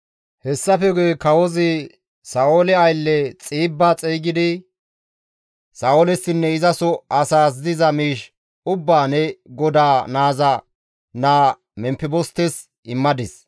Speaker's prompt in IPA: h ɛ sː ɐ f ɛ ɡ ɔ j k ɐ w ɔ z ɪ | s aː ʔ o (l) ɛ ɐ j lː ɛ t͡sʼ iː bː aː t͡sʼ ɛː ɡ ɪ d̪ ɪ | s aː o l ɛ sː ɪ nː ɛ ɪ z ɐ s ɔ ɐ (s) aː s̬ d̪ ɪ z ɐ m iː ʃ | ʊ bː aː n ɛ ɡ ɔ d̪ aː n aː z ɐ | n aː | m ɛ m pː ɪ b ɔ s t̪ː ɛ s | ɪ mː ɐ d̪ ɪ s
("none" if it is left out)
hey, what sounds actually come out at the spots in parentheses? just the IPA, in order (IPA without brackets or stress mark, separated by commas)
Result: l, s